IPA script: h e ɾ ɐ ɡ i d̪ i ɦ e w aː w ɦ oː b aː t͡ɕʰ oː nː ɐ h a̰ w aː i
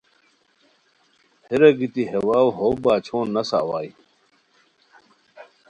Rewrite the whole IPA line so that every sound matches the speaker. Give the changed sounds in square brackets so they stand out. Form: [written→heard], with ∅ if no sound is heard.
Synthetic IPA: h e ɾ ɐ ɡ i [d̪→t̪] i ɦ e w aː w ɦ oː b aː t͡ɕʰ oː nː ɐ [h→s] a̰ w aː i